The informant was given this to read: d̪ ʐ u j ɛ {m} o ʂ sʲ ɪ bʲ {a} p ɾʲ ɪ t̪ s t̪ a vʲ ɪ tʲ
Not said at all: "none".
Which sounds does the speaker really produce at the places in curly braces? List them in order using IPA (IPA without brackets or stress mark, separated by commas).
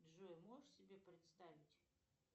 m, e